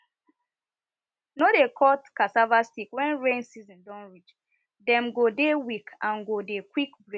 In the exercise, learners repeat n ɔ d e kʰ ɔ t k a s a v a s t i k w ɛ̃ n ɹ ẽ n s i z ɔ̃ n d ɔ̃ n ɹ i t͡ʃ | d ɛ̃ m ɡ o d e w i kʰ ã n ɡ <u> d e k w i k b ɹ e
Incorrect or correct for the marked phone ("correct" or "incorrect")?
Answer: incorrect